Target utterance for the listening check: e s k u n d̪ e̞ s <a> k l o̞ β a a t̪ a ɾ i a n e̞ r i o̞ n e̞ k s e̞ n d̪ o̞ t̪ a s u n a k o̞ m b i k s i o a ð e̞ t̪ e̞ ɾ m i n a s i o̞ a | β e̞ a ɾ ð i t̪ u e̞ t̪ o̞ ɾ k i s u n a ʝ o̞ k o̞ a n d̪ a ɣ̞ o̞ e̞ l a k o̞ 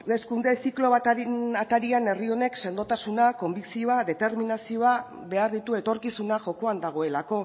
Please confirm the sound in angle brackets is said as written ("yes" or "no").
no